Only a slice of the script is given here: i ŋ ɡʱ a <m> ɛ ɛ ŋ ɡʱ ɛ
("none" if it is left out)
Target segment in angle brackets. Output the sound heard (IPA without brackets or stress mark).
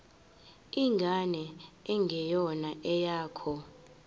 n